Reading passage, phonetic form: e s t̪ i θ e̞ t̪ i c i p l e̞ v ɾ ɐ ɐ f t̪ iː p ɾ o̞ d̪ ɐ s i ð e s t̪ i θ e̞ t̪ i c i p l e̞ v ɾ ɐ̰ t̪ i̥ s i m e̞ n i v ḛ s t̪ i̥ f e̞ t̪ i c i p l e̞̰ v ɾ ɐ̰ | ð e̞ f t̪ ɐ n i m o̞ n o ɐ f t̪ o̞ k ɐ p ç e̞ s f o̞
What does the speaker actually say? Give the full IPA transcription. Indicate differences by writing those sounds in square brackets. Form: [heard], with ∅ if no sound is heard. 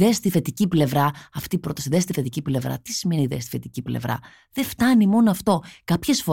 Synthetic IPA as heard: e s t̪ i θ e̞ t̪ i c i p l e̞ v ɾ ɐ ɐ f t̪ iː p ɾ o̞ [t̪] ɐ s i ð e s t̪ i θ e̞ t̪ i c i p l e̞ v ɾ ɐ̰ t̪ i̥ s i m e̞ n i [ð] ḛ s t̪ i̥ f e̞ t̪ i c i p l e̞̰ v ɾ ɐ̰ | ð e̞ f t̪ ɐ n i m o̞ n o ɐ f t̪ o̞ k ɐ p ç e̞ s f o̞